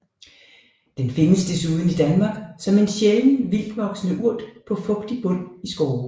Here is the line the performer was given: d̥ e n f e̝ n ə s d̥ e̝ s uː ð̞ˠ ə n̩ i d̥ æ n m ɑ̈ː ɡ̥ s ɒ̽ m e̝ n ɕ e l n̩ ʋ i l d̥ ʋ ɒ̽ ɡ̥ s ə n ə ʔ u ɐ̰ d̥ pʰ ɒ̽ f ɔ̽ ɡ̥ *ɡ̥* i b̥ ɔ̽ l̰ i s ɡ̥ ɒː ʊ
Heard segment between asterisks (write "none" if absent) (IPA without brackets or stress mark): d̥